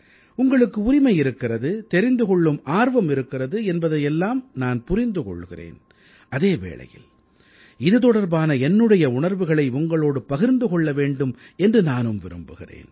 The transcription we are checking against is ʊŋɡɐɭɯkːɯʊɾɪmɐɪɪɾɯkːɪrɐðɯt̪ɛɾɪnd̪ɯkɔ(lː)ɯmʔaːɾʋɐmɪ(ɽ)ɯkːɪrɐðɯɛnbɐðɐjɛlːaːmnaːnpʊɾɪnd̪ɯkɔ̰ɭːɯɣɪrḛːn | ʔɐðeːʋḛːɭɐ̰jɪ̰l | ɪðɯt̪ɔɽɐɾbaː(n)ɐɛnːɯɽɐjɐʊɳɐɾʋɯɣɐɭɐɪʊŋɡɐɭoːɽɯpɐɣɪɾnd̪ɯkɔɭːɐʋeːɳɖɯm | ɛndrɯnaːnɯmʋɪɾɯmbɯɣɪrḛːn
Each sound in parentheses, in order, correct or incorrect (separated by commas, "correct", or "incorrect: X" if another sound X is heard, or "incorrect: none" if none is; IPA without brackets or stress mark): incorrect: ɭː, incorrect: ɾ, correct